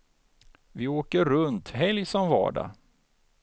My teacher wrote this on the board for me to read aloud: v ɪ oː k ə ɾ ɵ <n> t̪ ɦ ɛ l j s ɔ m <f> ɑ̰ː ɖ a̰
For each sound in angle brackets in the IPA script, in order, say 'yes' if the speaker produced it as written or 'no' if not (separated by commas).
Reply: yes, no